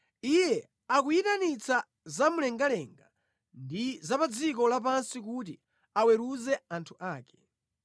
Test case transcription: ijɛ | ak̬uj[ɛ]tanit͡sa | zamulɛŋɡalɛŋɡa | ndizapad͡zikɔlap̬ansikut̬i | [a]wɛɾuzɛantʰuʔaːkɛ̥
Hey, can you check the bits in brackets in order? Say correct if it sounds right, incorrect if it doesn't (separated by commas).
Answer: incorrect, correct